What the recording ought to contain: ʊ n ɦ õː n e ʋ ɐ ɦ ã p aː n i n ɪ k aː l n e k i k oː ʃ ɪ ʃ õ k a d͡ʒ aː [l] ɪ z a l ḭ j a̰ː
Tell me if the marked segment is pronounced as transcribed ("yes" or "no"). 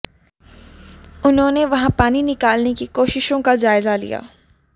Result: no